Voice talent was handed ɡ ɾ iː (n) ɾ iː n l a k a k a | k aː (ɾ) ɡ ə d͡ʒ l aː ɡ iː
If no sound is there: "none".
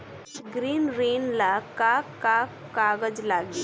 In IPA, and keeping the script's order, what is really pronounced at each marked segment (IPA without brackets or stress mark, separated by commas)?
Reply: n, none